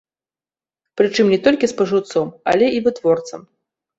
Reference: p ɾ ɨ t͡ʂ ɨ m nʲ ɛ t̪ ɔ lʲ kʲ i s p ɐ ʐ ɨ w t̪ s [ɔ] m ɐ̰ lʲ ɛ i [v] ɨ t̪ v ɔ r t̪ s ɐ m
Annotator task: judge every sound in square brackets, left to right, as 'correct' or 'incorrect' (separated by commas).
correct, correct